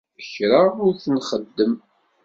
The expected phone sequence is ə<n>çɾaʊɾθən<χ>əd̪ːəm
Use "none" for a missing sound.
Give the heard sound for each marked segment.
none, χ

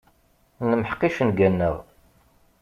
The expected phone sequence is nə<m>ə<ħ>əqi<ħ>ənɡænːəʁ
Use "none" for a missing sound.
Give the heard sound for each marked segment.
m, ħ, ʃ

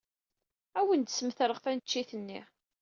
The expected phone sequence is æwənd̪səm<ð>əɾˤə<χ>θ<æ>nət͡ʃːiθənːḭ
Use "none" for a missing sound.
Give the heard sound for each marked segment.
θ, ʁ, æ

